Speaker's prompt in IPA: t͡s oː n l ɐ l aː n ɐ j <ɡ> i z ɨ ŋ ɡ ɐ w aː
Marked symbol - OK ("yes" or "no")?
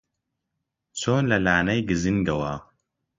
yes